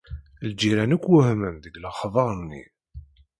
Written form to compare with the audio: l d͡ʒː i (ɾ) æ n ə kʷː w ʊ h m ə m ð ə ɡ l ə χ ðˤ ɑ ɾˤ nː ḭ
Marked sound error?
no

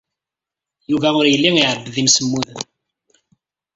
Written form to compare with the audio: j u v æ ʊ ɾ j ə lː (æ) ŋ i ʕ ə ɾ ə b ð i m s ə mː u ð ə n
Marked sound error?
yes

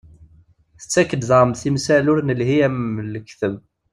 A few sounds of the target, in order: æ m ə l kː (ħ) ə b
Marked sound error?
yes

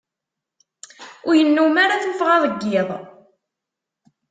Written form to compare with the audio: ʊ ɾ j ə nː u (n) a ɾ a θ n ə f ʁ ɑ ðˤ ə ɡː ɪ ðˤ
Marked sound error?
yes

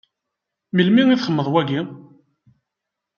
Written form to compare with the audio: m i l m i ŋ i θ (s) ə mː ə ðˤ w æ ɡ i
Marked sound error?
yes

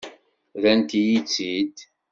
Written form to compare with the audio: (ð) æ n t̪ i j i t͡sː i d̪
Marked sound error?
no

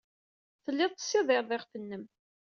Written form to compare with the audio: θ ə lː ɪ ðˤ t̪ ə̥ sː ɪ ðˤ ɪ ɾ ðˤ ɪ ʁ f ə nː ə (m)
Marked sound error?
no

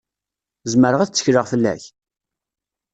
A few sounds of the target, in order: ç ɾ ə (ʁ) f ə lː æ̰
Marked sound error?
no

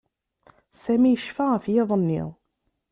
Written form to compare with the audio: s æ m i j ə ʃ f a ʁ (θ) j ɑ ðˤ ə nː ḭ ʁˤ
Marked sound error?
yes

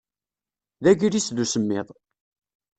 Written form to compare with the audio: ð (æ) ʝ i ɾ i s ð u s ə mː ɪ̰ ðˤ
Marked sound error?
no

